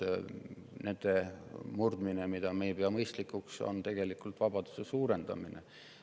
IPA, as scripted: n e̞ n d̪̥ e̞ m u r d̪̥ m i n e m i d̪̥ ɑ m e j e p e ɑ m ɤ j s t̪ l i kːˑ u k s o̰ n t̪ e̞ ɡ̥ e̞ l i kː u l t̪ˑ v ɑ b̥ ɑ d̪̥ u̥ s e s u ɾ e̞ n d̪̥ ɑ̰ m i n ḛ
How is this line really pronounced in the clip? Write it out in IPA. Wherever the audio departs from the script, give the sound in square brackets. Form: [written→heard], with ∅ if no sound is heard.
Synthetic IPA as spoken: n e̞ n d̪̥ e̞ m u r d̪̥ m i n e m i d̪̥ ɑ m e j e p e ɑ m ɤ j s t̪ l i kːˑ u k s o̰ n t̪ e̞ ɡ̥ e̞ l i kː u l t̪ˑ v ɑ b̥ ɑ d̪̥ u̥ s e s [u→uː] ɾ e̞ n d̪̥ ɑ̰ m i n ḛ